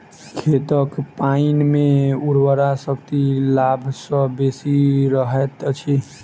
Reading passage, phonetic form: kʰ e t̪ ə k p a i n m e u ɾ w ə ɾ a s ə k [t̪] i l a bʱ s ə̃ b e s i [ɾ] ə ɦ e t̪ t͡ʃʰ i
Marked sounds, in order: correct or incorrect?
correct, correct

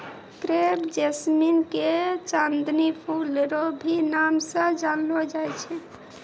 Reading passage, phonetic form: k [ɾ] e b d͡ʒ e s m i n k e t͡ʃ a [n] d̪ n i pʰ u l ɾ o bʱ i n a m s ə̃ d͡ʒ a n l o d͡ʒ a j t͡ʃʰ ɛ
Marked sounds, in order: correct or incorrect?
correct, correct

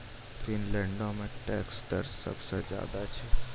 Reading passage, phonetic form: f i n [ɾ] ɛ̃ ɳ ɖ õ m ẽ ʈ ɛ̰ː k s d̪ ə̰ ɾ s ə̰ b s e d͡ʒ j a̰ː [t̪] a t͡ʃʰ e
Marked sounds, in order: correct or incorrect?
incorrect, incorrect

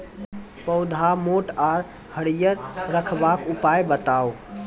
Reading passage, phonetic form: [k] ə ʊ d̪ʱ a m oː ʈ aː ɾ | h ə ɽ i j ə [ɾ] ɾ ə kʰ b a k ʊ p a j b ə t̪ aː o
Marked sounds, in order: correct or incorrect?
incorrect, correct

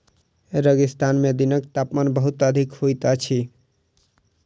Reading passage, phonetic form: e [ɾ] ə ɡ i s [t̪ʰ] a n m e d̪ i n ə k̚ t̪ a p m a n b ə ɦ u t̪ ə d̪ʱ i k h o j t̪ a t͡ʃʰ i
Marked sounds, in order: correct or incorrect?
correct, incorrect

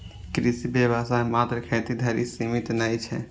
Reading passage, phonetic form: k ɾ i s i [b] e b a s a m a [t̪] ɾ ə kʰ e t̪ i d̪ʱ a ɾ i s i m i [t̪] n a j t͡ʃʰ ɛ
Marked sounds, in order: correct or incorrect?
correct, correct, correct

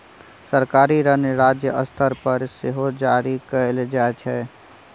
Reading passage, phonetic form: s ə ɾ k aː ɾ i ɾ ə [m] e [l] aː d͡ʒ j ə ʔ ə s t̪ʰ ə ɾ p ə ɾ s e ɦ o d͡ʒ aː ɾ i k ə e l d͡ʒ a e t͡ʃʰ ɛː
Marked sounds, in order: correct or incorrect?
incorrect, incorrect

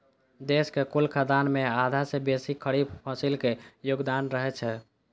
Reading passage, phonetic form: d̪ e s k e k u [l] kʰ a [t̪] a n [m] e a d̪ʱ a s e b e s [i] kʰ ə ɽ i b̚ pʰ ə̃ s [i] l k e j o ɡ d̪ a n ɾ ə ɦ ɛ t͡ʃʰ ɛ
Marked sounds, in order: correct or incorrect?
correct, incorrect, correct, correct, correct

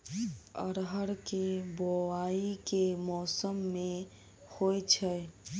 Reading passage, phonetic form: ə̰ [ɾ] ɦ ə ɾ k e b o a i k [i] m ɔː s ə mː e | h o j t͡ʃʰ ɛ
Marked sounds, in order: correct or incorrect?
correct, incorrect

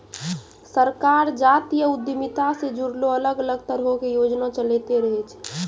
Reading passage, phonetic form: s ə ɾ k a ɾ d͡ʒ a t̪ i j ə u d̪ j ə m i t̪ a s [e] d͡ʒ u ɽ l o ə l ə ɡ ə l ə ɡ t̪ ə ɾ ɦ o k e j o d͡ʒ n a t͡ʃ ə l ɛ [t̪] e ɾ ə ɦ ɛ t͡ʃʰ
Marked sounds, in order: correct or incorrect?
correct, correct

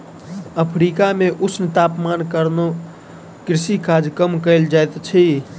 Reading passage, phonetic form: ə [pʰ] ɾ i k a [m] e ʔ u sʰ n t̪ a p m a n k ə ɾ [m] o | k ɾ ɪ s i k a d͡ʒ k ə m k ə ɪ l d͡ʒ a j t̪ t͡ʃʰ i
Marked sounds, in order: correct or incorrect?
correct, correct, incorrect

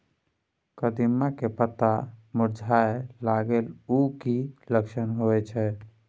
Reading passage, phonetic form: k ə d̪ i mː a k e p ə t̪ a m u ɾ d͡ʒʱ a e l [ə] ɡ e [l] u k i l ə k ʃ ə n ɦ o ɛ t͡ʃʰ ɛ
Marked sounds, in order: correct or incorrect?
incorrect, correct

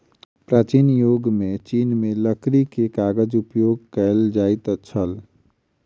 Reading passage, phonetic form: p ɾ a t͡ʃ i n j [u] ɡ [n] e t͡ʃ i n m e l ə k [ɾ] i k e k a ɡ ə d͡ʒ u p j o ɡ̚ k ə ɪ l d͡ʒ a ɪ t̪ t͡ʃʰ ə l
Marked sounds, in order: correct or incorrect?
incorrect, incorrect, correct

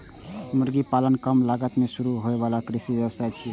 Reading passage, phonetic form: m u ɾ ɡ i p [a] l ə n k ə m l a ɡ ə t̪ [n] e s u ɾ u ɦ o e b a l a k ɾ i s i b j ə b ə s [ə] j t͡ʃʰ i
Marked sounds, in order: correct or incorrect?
correct, incorrect, incorrect

